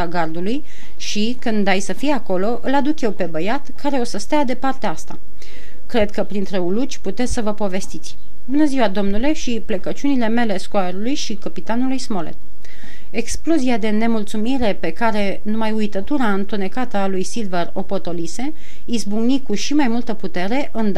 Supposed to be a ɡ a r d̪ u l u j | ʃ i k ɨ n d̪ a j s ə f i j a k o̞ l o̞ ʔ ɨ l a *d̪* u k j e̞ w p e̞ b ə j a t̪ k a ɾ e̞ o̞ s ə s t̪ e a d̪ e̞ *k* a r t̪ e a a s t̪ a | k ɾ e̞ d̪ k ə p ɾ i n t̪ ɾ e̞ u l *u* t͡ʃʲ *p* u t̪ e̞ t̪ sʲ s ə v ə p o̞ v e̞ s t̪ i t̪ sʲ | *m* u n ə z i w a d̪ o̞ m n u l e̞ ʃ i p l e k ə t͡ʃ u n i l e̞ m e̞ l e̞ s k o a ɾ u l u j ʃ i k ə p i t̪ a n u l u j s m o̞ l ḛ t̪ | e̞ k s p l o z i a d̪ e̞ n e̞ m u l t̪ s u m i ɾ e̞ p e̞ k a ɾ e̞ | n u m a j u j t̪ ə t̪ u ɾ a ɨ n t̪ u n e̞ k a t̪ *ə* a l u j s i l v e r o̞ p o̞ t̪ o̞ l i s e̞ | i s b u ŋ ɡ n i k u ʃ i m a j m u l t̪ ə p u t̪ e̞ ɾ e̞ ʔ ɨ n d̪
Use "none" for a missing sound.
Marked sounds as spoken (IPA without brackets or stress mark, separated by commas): d̪, p, u, p, b, ə